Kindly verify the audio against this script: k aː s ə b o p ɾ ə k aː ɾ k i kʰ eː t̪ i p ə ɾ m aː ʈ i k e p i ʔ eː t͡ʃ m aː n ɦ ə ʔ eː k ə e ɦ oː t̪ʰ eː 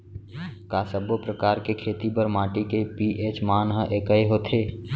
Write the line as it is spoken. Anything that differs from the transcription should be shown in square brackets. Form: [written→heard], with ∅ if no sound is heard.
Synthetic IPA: k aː s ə b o p ɾ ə k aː ɾ k [i→e] kʰ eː t̪ i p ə ɾ m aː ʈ i k e p i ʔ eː t͡ʃ m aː n ɦ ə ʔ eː k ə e ɦ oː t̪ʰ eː